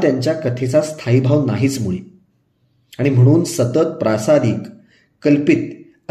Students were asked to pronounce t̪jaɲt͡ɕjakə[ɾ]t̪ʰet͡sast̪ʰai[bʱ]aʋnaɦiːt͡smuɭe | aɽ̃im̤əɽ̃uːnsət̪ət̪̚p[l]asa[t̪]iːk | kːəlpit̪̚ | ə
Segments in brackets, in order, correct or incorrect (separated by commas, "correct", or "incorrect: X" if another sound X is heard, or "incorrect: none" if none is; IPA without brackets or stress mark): incorrect: none, correct, incorrect: ɾ, incorrect: d̪